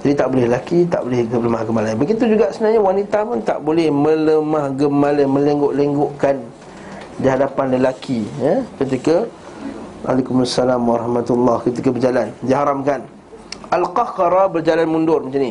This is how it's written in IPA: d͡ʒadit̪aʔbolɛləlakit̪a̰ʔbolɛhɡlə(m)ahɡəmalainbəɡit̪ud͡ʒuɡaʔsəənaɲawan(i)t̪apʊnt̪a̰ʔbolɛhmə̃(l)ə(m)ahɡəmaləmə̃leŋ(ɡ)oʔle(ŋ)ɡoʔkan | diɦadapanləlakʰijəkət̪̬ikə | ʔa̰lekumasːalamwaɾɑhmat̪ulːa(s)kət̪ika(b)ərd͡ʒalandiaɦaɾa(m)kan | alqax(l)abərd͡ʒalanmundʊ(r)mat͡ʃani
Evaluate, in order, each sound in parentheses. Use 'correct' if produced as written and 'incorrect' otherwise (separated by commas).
correct, correct, correct, correct, correct, correct, incorrect, correct, correct, incorrect, correct